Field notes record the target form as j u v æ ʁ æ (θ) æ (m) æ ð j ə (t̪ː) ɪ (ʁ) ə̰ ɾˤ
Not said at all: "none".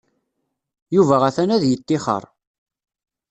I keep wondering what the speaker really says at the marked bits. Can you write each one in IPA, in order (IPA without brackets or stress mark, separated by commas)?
θ, n, t̪ː, χ